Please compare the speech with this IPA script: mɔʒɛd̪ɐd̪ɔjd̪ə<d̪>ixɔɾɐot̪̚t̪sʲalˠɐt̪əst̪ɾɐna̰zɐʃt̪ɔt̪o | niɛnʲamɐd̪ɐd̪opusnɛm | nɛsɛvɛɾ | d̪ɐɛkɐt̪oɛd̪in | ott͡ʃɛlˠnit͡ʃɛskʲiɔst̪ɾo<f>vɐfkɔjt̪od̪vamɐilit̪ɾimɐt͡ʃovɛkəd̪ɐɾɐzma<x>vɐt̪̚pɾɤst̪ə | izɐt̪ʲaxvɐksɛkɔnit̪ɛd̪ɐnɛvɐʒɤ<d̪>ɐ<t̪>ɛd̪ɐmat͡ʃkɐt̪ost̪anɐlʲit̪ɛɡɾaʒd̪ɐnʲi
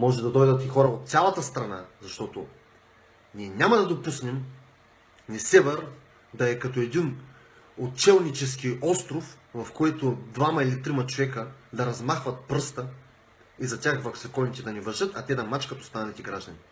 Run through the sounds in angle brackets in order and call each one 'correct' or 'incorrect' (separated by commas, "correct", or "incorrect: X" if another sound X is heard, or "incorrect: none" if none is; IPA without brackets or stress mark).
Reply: incorrect: t̪, correct, correct, incorrect: t̪, correct